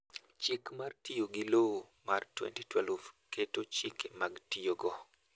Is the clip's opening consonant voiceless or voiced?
voiceless